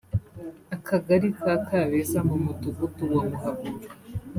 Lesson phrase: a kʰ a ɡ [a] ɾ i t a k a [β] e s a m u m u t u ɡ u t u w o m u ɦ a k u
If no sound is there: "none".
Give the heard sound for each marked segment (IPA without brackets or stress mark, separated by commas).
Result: a, β